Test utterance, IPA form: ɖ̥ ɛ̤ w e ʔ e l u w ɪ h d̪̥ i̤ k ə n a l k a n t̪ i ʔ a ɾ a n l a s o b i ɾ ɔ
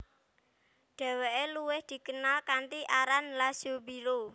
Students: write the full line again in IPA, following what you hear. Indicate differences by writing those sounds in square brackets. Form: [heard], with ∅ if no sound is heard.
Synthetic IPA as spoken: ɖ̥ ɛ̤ w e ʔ e l u w ɪ h d̪̥ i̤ k ə n a l k a n t̪ i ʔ a ɾ a n l a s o b i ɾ [o]